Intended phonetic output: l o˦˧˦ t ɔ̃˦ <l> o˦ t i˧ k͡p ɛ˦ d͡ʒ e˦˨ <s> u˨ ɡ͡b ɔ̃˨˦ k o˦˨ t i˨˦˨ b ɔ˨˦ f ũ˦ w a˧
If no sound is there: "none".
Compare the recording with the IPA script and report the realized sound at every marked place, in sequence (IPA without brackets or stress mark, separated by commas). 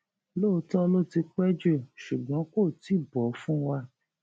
l, ʃ